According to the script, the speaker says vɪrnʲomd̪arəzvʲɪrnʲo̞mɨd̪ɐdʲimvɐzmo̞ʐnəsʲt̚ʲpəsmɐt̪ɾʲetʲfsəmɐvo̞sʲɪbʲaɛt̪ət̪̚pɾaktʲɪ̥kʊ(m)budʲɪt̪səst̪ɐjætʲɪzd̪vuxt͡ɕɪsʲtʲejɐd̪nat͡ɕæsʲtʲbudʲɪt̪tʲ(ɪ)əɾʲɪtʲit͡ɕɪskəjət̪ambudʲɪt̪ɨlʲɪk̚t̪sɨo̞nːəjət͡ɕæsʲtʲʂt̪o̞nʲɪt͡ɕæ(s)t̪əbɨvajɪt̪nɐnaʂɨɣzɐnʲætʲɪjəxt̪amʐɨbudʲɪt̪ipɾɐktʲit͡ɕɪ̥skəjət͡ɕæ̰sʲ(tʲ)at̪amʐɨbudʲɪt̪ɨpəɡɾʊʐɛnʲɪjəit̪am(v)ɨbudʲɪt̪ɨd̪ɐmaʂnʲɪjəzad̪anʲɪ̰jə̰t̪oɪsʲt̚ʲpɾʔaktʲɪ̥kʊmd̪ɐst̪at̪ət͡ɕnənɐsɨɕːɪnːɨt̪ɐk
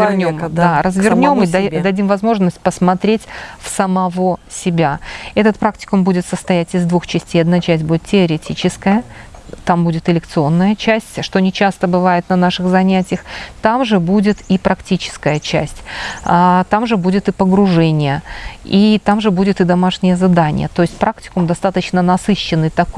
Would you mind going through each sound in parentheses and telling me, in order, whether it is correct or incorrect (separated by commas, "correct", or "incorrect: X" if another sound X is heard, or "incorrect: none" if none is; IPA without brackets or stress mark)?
correct, correct, correct, correct, incorrect: ʐ